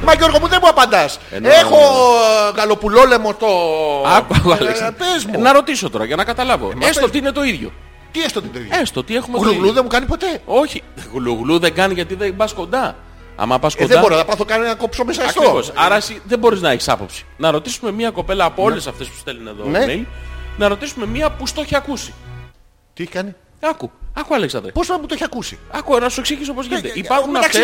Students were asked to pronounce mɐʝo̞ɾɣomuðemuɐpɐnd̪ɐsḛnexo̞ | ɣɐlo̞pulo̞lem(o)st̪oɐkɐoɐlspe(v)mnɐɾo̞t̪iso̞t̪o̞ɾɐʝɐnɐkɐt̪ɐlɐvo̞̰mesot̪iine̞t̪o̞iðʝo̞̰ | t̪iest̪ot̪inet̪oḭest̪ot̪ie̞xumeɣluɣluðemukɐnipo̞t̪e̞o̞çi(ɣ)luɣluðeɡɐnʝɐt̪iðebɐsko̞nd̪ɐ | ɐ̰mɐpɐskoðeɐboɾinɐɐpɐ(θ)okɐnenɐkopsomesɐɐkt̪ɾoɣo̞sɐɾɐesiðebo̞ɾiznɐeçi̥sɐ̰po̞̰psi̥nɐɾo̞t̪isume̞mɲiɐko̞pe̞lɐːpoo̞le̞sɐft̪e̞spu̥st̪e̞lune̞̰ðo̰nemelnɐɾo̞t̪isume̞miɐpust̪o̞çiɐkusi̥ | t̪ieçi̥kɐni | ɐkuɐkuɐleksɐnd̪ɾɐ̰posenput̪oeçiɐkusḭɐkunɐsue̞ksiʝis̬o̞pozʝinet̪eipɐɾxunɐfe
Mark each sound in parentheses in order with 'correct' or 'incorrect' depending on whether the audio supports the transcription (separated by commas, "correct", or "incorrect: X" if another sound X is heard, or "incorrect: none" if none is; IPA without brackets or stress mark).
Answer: correct, incorrect: z, correct, correct